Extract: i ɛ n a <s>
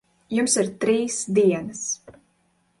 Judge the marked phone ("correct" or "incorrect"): correct